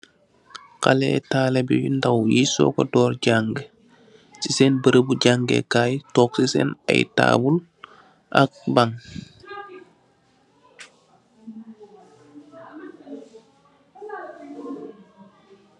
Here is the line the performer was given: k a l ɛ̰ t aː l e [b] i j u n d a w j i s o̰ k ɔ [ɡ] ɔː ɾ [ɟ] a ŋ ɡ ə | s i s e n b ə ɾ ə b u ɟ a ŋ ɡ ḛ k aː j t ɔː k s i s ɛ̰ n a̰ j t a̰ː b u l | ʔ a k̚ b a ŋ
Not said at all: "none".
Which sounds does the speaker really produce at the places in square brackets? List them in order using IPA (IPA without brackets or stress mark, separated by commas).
b, d, ɟ